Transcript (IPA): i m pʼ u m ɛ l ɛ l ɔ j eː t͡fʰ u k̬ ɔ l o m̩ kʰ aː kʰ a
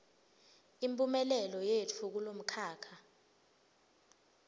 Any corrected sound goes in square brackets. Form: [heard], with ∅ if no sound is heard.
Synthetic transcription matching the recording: i m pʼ u m ɛ l ɛ l ɔ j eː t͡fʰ u k̬ [u] l o m̩ kʰ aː kʰ a